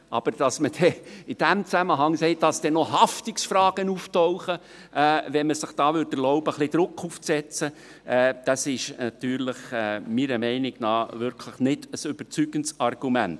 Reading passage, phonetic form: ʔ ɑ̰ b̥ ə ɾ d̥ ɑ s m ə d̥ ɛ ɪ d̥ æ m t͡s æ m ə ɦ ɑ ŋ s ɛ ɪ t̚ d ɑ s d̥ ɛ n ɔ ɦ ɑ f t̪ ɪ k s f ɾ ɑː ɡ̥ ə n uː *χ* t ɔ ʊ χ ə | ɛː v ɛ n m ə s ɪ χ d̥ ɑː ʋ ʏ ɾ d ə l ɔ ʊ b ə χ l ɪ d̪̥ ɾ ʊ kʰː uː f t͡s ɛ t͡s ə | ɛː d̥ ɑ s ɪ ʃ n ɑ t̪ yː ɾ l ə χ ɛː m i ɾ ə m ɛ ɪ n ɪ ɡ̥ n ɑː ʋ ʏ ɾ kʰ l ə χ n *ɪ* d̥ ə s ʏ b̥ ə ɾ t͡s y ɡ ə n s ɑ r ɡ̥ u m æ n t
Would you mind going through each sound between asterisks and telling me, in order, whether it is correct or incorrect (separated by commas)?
incorrect, correct